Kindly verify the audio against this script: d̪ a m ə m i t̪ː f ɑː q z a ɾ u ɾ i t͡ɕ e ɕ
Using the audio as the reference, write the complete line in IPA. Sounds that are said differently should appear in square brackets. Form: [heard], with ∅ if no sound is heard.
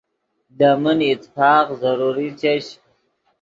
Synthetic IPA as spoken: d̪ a m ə [n] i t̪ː f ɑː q z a ɾ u ɾ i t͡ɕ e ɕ